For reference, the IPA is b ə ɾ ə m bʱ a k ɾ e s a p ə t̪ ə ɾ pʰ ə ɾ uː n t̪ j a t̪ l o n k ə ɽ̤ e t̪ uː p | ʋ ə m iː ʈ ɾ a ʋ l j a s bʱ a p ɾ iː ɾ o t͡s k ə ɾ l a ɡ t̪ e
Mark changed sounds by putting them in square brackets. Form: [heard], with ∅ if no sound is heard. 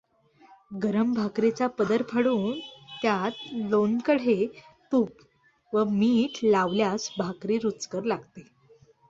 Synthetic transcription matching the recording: [ɡ] ə ɾ ə m bʱ a k ɾ e [t͡s] a p ə [d̪] ə ɾ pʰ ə [ɽ] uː n t̪ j a t̪ l o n k ə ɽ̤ e t̪ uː p | ʋ ə m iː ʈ [l] a ʋ l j a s bʱ a [k] ɾ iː ɾ [u] t͡s k ə ɾ l a ɡ t̪ e